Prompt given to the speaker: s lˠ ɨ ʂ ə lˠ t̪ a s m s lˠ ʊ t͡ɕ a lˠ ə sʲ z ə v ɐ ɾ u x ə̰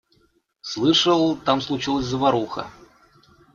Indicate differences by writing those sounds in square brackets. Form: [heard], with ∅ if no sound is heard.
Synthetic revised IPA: s lˠ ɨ ʂ ə lˠ t̪ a [∅] m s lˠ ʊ t͡ɕ [i] lˠ ə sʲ z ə v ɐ ɾ u x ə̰